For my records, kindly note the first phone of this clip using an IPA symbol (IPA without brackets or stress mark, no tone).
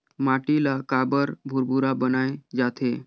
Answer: m